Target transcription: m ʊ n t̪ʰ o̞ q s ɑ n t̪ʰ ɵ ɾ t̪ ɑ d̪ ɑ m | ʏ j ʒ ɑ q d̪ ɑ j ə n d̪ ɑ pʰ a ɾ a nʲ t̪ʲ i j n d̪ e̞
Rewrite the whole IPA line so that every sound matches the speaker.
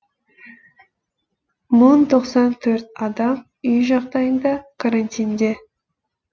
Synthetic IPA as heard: m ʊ n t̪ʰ o̞ q s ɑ n t̪ʰ ɵ ɾ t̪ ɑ d̪ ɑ m | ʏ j ʒ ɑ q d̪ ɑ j ə n d̪ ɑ kʰ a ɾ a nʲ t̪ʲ i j n d̪ e̞